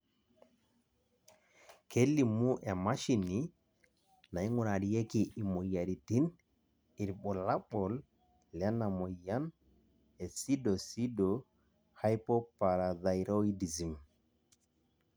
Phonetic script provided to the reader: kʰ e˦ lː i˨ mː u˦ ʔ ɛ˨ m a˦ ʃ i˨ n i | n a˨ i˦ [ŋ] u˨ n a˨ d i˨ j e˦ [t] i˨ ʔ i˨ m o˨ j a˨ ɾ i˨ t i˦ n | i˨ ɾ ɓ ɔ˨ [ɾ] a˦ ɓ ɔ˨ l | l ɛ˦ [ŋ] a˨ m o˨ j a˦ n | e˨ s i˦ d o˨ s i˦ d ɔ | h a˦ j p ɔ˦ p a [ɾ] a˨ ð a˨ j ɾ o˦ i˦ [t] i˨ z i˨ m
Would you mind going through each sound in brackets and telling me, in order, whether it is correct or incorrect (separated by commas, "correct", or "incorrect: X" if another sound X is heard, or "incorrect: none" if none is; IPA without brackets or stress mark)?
correct, incorrect: k, incorrect: l, incorrect: n, correct, incorrect: d